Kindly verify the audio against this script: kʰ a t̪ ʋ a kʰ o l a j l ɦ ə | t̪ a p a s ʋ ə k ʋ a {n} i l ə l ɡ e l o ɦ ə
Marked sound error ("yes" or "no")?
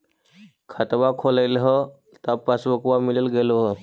yes